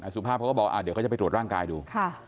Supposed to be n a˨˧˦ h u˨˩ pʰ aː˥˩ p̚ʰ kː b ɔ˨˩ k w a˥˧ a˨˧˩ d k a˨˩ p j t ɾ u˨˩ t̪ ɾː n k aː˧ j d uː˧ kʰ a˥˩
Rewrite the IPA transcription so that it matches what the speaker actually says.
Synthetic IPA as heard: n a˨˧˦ s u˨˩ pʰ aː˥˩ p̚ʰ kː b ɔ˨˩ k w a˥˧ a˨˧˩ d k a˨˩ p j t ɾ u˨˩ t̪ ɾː ŋ k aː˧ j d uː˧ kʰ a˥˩